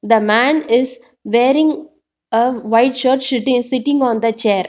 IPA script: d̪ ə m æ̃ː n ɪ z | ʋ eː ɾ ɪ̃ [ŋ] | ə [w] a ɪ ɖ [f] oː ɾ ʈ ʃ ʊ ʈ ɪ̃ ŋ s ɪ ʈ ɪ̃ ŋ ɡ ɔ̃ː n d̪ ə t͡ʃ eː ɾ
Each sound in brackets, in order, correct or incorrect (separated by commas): correct, incorrect, incorrect